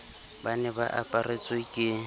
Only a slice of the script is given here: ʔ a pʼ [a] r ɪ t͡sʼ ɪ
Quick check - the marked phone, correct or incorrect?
correct